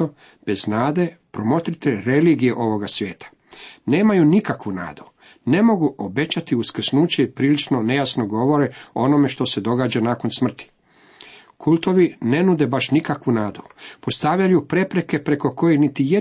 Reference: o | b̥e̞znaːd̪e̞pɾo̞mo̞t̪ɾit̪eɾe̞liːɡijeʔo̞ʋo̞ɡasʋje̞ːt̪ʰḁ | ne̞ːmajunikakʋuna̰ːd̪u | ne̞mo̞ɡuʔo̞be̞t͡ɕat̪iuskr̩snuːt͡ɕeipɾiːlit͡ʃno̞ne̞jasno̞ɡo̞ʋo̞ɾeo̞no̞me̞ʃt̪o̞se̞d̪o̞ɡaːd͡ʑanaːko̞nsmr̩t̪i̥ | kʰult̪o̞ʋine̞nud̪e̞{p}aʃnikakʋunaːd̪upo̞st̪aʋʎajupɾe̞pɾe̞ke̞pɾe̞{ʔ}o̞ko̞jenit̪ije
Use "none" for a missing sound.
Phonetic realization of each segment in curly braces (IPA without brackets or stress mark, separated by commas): b, k